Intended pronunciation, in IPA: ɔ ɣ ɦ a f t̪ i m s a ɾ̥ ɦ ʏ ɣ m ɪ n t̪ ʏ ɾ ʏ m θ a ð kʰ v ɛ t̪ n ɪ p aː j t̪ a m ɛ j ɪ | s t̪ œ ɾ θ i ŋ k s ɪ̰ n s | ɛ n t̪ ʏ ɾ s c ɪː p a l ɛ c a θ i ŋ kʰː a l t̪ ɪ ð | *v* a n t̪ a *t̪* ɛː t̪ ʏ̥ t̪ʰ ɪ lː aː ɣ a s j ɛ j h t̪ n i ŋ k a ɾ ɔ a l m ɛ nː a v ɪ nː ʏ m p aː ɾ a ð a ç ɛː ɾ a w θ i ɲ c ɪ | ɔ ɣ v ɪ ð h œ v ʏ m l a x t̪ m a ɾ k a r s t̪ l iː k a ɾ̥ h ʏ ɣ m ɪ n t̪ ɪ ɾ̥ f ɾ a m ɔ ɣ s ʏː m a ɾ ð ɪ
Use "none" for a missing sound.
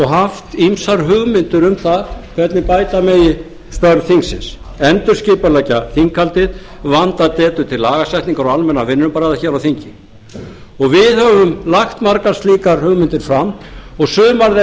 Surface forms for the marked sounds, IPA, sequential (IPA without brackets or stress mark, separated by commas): v, t̪